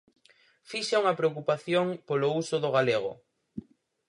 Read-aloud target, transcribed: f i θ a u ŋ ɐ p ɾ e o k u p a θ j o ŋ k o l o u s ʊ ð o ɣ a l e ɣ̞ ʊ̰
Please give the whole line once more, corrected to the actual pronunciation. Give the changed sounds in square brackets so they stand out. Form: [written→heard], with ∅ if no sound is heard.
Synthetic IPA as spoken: f i [θ→ʃ] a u ŋ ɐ p ɾ e o k u p a θ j o ŋ [k→p] o l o u s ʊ ð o ɣ a l e ɣ̞ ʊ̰